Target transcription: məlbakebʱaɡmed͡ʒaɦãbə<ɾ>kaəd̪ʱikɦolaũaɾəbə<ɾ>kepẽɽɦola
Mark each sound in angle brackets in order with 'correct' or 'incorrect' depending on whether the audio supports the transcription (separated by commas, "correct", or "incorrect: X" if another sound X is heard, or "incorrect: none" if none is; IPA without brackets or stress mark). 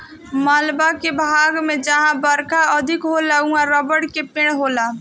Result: correct, incorrect: ɽ